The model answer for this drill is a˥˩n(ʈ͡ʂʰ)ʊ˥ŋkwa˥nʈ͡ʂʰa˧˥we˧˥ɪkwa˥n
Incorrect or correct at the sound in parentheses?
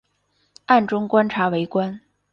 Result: incorrect: ʈ͡ʂ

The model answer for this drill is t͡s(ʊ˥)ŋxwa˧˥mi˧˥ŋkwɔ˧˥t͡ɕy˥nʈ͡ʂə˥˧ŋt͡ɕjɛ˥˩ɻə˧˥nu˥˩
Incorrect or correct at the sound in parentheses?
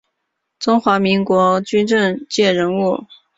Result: correct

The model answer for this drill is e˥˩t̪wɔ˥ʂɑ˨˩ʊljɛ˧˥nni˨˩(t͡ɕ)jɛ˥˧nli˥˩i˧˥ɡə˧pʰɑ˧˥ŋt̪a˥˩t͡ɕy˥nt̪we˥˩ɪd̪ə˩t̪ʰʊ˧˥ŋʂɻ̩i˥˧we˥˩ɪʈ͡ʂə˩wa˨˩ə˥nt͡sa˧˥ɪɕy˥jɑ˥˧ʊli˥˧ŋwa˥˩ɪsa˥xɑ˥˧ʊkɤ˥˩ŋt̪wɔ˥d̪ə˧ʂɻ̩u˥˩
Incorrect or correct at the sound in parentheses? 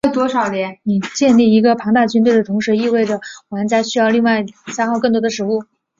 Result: correct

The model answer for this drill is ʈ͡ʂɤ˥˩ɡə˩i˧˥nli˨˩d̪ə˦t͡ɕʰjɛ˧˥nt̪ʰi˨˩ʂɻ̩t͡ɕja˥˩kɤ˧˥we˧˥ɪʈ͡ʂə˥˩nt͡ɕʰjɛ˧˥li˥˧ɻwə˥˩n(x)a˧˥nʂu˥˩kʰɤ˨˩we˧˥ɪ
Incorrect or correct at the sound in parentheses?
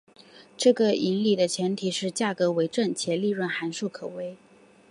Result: correct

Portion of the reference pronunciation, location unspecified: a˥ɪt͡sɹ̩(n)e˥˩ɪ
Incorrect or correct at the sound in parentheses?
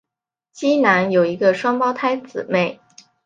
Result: incorrect: m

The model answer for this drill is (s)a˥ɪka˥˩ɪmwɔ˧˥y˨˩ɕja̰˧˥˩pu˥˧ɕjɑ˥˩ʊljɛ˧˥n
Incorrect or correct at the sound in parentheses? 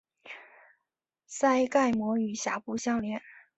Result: correct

